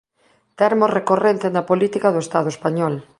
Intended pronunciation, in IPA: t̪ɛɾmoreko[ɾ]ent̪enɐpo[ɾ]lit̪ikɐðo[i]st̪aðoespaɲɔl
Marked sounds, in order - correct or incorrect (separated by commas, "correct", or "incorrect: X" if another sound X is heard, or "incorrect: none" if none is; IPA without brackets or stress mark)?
incorrect: r, incorrect: none, incorrect: e